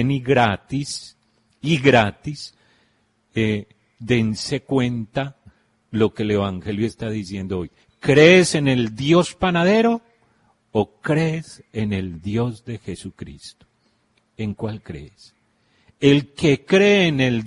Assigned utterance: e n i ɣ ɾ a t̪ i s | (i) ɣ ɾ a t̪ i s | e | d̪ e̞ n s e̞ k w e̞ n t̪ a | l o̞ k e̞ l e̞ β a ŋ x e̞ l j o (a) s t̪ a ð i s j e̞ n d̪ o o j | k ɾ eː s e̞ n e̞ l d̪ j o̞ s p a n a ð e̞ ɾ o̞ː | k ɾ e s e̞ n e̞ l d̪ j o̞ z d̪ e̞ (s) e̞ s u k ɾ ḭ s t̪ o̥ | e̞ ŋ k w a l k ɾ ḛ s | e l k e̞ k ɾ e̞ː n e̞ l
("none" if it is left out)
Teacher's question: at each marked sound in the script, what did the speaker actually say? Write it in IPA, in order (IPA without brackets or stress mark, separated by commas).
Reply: i, e, x